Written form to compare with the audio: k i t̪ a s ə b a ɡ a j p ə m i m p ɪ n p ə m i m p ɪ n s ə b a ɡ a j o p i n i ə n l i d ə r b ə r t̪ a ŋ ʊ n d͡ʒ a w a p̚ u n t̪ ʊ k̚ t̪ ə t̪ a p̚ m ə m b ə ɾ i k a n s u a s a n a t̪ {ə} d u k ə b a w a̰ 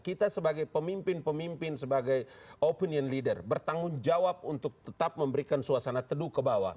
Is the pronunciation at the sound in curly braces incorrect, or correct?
correct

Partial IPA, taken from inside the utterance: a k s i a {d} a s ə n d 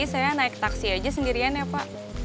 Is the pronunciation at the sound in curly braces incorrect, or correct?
incorrect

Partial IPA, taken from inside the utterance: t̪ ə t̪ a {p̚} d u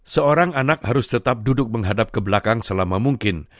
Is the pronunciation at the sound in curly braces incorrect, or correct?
correct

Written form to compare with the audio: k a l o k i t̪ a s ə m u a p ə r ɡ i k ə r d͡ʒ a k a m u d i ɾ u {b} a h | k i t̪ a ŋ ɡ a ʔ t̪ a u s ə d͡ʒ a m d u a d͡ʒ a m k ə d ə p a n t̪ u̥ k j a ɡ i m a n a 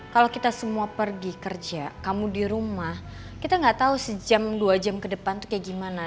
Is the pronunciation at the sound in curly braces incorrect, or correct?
incorrect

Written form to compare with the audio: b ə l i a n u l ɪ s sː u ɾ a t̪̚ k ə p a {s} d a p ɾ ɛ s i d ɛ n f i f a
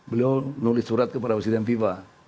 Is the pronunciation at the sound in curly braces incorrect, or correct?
incorrect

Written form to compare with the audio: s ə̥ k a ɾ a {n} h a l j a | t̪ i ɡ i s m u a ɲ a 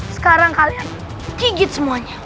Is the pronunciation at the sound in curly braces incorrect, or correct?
incorrect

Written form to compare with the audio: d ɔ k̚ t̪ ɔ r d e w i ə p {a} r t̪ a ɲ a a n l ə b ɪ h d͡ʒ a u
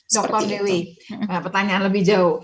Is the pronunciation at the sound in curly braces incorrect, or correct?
incorrect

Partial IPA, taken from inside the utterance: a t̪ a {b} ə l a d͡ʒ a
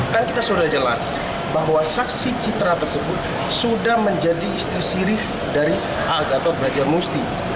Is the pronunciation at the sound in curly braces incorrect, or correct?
correct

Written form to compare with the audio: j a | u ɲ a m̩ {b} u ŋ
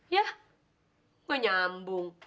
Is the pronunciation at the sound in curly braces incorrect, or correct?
correct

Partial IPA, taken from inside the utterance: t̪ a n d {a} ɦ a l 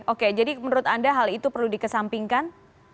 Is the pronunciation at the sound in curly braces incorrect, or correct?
correct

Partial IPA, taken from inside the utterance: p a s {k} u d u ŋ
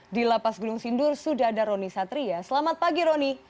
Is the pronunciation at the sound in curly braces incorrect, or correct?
incorrect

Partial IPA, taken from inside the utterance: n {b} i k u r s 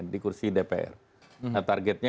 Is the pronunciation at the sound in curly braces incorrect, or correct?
incorrect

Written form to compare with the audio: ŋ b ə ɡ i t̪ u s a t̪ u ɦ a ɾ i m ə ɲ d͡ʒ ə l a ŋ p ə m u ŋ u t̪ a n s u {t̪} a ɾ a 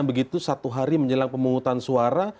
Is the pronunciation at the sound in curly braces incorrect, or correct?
incorrect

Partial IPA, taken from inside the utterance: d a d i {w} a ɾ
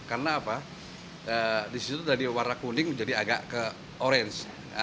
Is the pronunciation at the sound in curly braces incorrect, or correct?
correct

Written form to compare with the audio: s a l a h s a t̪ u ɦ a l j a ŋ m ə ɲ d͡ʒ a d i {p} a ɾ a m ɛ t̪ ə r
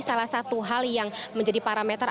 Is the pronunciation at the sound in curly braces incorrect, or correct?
correct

